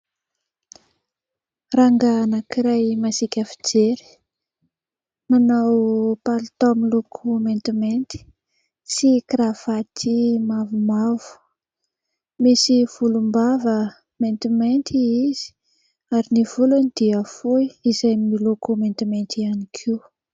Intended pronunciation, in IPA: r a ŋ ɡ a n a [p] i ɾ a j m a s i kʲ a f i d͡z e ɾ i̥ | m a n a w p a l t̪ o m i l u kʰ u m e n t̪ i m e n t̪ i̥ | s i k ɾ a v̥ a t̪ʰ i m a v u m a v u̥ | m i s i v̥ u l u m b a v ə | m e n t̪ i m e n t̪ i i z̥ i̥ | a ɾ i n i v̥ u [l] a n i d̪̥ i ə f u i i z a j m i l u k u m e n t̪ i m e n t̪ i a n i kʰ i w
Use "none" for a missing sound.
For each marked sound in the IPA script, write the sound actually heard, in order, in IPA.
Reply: k, l

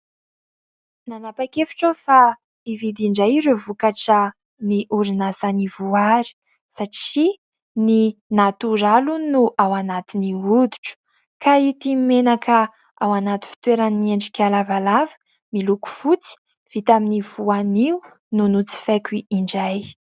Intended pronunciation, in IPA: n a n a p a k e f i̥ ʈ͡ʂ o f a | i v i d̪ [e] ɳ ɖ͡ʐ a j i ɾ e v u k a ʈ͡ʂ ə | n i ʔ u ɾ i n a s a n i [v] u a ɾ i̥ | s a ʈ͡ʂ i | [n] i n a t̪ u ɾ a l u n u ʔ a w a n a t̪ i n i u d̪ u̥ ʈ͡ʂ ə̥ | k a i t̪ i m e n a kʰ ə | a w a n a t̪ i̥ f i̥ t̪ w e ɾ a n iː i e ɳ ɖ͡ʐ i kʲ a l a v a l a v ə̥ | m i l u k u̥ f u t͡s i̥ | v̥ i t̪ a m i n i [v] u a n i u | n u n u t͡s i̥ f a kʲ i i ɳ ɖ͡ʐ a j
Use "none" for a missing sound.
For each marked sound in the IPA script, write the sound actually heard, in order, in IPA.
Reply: i, v, n, v

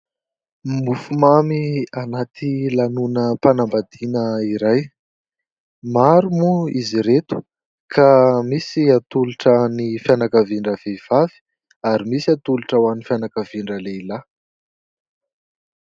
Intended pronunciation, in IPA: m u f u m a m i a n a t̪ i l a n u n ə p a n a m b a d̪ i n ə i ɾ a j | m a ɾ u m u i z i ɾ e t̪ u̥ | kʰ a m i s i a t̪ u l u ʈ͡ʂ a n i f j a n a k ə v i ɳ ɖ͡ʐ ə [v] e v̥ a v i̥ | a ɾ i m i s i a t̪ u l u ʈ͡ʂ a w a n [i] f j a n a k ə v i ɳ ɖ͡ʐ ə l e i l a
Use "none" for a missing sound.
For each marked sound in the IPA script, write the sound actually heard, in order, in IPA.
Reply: v, i

